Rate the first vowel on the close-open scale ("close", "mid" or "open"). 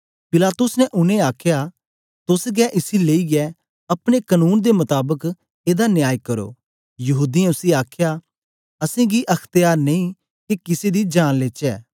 close